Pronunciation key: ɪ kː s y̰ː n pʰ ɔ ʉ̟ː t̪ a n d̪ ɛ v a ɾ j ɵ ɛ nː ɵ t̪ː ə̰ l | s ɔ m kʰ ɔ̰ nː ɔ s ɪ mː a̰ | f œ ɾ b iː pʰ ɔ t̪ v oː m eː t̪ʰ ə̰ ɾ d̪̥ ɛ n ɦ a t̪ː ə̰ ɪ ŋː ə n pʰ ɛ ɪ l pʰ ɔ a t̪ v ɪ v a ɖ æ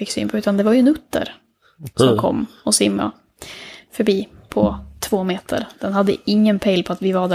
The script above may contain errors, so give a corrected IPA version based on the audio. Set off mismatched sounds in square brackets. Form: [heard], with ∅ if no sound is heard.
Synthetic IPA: ɪ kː s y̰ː n pʰ ɔ ʉ̟ː t̪ a n d̪ ɛ v a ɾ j ɵ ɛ [n] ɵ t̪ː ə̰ [ɾ] | s ɔ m kʰ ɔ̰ [mː] ɔ s ɪ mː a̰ | f œ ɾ b iː pʰ ɔ [t̪ʰ] v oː m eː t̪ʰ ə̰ ɾ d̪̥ ɛ n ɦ a [d̪ː] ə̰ ɪ ŋː ə n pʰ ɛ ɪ l pʰ ɔ a t̪ v ɪ v a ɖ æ